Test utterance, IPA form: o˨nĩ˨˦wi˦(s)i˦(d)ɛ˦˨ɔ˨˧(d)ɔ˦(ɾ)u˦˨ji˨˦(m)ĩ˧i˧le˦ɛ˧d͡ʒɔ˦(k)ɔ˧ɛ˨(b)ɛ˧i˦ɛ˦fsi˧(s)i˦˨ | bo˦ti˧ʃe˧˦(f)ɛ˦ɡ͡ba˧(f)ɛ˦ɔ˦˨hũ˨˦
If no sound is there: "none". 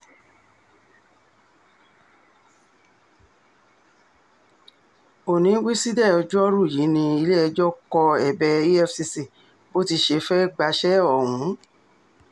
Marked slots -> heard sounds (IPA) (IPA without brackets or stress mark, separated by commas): s, d, d͡ʒ, ɾ, n, k, b, s, f, ʃ